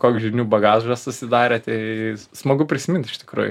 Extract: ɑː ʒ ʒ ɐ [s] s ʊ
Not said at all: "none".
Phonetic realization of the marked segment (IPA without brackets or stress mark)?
s